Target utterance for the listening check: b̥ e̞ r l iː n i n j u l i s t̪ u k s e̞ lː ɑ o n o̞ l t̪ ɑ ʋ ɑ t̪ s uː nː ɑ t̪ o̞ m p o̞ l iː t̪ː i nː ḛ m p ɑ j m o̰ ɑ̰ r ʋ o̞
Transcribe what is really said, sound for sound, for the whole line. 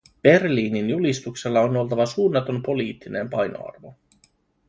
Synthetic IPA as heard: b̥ e̞ r l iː n i n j u l i s t̪ u k s e̞ lː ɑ o n o̞ l t̪ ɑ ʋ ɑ s uː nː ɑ t̪ o̞ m p o̞ l iː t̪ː i n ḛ m p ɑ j n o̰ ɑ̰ r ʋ o̞